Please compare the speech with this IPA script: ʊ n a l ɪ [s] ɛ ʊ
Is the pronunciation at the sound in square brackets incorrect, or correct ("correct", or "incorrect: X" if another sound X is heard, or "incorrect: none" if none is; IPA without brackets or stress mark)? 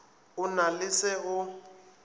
correct